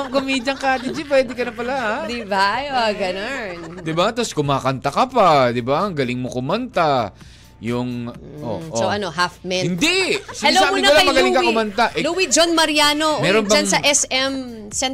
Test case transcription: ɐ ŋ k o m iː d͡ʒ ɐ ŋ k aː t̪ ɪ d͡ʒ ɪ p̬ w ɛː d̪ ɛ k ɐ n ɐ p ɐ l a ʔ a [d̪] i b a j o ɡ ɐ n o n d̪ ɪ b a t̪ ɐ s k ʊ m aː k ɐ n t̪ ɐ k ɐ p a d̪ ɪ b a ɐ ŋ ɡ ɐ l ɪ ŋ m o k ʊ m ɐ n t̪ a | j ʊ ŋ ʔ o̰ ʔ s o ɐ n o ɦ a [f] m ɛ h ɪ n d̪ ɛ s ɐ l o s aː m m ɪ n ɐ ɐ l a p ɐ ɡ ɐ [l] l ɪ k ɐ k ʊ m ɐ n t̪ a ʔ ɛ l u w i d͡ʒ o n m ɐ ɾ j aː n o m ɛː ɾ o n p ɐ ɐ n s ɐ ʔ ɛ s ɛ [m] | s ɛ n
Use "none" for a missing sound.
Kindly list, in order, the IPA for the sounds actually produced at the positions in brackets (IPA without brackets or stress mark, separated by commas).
d̪, f, l, m